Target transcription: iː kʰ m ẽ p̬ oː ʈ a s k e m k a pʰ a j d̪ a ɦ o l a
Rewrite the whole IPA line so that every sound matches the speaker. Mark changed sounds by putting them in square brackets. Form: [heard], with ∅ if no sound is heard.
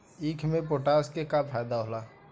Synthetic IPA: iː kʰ m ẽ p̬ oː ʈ a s k e [∅] k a pʰ a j d̪ a ɦ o l a